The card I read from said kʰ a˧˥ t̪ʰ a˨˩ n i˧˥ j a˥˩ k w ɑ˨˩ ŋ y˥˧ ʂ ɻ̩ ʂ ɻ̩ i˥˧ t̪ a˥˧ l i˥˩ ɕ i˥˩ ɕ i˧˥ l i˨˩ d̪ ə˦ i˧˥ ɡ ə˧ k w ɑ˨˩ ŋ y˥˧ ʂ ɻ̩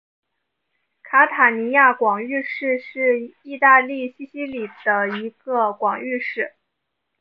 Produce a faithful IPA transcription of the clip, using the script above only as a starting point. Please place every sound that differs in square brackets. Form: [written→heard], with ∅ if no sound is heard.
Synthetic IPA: kʰ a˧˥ t̪ʰ a˨˩ n i˧˥ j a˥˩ k w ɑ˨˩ ŋ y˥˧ ʂ ɻ̩ ʂ ɻ̩ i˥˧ t̪ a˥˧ l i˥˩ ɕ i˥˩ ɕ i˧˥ l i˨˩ d̪ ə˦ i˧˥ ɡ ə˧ k w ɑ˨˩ ŋ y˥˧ ʂ ɻ̩